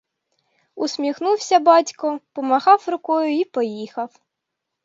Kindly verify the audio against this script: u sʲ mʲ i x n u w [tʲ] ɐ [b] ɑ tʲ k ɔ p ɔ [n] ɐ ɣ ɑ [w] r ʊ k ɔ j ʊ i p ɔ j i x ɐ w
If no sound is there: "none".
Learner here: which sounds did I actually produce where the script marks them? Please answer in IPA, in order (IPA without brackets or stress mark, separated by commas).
sʲ, b, m, w